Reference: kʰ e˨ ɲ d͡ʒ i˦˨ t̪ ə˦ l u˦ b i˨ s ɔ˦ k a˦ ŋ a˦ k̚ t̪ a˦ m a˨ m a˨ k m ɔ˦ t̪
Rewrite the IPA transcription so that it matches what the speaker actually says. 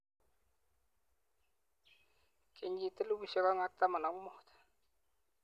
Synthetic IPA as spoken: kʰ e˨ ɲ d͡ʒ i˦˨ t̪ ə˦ l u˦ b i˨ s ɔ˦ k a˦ ŋ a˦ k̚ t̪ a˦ m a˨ n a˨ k m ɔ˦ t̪